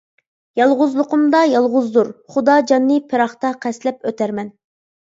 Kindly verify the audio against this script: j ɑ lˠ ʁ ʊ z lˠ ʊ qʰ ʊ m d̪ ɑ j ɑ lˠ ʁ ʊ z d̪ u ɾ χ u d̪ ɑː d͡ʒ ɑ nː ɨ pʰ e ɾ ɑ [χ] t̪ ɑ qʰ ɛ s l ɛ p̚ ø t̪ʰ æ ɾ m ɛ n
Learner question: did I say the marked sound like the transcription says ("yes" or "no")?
yes